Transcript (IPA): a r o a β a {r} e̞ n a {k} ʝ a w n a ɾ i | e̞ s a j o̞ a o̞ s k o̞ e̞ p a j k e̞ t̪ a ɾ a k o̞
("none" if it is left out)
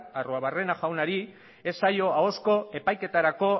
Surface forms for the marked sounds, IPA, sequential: r, none

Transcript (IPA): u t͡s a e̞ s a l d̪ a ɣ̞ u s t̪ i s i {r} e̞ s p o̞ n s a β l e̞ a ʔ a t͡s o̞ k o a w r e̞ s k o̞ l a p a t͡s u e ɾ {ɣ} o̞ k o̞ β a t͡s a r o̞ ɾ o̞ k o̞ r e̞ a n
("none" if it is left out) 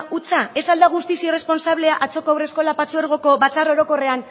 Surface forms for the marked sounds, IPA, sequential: r, ɣ

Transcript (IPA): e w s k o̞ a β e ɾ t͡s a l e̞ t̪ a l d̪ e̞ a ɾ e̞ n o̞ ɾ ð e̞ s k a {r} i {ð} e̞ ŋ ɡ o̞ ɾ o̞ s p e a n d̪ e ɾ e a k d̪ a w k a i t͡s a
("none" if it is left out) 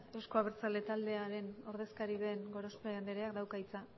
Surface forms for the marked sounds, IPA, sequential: ɾ, ð

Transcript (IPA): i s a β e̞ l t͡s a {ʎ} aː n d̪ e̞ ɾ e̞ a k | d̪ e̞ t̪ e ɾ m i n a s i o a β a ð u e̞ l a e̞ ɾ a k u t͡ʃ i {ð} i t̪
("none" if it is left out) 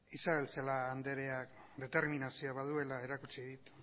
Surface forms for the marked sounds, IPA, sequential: l, ð

